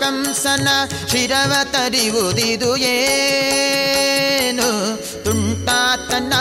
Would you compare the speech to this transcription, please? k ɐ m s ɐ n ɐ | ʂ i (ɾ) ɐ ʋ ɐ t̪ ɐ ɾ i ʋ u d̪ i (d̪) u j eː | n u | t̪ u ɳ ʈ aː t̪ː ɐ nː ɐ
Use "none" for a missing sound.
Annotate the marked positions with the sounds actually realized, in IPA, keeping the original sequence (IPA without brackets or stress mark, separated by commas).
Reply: ɾ, d̪